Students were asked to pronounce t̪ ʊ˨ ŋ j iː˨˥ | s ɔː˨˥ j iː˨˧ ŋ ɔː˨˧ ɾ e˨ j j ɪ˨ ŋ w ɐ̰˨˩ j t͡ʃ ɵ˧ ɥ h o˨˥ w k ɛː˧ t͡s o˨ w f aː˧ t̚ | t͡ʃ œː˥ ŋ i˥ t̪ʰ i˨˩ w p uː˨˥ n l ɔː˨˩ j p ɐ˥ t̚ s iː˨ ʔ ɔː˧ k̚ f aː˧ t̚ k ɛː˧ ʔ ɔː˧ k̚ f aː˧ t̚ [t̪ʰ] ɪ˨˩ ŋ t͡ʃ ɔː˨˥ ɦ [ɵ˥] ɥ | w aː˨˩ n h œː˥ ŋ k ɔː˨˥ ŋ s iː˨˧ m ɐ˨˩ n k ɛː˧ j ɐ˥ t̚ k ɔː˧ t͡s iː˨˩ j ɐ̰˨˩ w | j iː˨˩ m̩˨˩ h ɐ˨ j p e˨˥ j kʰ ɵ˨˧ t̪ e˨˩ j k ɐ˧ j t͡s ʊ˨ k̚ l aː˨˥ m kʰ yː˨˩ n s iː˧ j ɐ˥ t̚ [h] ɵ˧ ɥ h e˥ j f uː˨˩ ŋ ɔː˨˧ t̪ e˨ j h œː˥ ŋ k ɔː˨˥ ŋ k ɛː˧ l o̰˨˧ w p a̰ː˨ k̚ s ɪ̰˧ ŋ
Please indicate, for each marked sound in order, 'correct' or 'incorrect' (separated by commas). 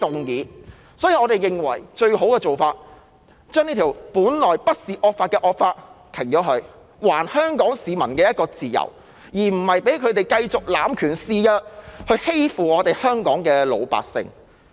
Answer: correct, incorrect, correct